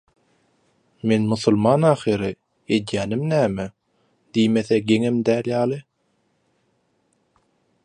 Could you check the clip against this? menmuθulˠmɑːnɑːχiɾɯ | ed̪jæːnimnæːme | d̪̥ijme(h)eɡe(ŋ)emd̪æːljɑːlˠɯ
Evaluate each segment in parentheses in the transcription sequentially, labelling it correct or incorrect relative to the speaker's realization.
incorrect: θ, correct

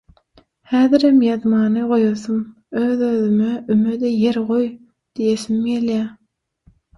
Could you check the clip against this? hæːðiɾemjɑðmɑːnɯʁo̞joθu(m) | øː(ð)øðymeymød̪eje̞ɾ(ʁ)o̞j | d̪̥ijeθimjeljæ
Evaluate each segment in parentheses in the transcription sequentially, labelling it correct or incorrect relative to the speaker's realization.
correct, correct, correct

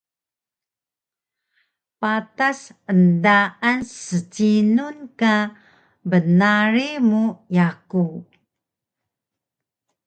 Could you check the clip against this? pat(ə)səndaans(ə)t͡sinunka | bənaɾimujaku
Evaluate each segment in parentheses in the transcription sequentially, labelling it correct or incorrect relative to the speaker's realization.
incorrect: a, correct

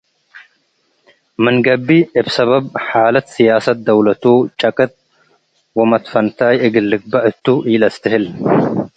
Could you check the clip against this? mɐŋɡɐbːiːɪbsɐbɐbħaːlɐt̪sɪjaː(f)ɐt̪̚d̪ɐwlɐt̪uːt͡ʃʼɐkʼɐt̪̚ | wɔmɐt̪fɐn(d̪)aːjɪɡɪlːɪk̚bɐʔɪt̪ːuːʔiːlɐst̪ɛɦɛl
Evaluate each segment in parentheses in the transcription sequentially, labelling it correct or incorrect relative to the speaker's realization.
incorrect: s, incorrect: t̪

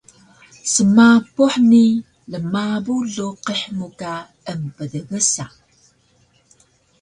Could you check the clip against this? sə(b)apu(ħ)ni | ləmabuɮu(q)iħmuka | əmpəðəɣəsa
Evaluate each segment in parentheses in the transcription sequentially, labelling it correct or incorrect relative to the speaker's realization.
incorrect: m, correct, correct

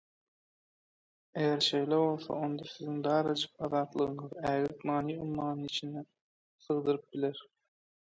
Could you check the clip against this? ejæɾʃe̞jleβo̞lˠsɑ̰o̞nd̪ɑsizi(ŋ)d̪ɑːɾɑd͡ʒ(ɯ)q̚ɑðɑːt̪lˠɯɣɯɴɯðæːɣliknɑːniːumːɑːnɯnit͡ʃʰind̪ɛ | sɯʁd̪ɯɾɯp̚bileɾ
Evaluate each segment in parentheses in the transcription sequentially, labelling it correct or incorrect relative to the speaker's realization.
correct, correct

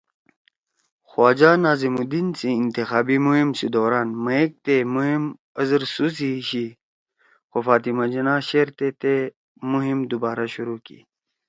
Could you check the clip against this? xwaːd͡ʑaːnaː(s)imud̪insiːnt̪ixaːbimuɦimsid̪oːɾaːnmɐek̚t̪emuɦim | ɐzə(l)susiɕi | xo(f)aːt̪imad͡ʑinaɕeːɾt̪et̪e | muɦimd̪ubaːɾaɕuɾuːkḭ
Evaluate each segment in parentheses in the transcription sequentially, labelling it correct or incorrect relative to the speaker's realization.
incorrect: z, incorrect: ɾ, correct

